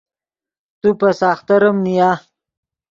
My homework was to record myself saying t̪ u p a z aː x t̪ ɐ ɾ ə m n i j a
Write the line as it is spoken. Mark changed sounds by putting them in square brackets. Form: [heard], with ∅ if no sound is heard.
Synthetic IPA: t̪ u p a [s] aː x t̪ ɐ ɾ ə m n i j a